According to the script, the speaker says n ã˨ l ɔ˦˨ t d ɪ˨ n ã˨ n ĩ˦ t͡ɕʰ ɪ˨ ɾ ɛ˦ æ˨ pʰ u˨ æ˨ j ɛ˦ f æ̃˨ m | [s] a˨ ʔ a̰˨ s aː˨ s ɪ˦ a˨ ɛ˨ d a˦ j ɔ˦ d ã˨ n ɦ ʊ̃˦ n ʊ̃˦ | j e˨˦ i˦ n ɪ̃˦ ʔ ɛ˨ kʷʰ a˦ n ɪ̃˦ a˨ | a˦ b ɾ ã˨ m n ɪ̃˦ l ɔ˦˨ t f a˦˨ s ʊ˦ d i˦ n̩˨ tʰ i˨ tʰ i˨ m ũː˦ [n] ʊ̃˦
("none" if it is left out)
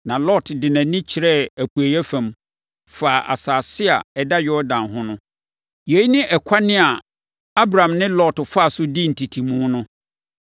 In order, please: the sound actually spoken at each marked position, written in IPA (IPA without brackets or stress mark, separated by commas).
f, n